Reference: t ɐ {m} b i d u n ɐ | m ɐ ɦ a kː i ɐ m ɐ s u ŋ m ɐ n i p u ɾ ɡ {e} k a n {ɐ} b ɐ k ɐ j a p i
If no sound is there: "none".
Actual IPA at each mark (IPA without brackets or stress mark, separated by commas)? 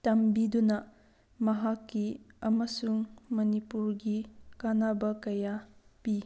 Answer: m, i, a